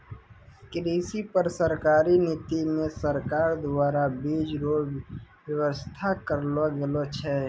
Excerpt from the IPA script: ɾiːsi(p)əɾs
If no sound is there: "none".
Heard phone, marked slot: p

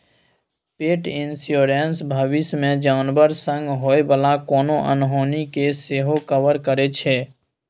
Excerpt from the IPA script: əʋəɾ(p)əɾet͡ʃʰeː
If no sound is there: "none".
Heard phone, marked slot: k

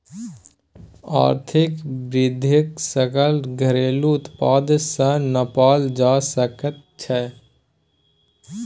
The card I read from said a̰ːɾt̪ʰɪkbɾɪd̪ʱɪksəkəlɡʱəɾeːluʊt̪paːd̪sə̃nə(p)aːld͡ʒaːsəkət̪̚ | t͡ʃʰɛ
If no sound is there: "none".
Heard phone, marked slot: p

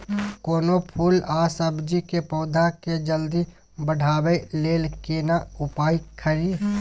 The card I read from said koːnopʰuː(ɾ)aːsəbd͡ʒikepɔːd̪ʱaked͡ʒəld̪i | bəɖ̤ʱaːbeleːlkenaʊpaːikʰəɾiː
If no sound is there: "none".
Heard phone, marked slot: l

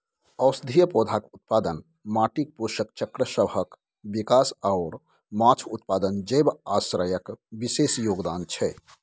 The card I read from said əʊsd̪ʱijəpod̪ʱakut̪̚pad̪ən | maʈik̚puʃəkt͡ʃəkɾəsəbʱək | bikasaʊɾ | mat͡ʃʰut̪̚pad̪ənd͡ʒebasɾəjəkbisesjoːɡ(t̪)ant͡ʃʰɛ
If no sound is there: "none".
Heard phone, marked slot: d̪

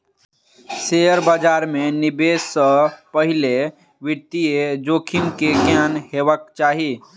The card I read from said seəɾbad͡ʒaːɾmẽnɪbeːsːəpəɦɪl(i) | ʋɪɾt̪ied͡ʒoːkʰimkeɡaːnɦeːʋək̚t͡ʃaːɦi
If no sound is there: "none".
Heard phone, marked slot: e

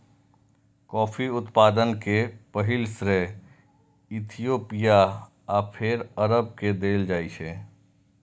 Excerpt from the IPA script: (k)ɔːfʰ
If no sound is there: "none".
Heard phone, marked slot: k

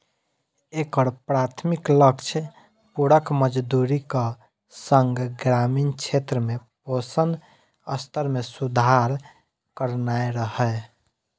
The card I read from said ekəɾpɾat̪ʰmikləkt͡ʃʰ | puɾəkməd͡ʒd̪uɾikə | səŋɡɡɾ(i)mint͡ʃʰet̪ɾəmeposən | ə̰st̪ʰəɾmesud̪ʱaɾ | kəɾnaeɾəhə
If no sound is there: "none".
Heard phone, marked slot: a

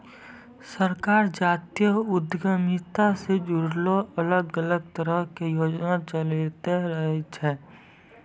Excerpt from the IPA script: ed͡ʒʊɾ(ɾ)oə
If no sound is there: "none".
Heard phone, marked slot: l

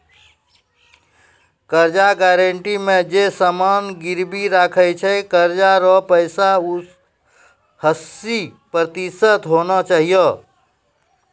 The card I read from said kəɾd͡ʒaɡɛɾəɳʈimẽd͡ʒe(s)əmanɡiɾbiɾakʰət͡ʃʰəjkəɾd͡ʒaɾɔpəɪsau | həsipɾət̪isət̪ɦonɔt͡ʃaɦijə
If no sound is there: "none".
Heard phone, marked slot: s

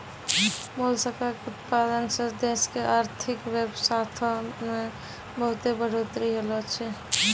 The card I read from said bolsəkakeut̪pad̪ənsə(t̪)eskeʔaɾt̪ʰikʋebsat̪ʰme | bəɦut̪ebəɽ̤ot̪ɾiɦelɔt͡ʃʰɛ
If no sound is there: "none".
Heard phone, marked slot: d̪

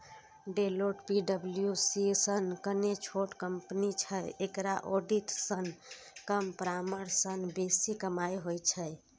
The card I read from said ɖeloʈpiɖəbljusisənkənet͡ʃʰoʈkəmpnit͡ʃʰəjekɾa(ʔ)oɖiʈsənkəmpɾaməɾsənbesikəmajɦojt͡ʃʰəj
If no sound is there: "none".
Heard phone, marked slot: ʔ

